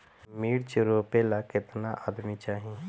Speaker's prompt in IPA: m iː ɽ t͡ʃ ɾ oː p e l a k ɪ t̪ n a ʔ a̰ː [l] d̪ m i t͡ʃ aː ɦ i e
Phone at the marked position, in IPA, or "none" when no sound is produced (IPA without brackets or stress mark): none